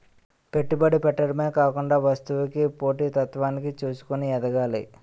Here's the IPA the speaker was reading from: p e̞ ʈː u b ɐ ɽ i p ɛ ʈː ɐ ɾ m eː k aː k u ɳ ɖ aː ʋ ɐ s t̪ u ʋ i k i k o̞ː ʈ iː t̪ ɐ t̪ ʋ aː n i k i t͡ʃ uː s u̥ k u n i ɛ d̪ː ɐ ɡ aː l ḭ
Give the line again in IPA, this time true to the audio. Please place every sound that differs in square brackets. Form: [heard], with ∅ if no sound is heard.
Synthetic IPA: p e̞ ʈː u b ɐ ɽ i p ɛ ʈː ɐ ɾ m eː k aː k u ɳ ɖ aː ʋ ɐ s t̪ u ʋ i k i [p] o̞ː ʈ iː t̪ ɐ t̪ ʋ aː n i k i t͡ʃ uː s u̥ k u n i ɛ [d̪] ɐ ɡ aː l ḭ